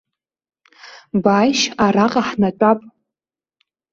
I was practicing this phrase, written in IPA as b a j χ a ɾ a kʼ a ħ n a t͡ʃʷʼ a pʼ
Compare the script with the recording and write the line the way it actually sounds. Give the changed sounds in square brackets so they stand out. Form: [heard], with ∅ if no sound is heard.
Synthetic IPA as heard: b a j [ʃ] a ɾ a [qʼ] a ħ n a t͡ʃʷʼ a pʼ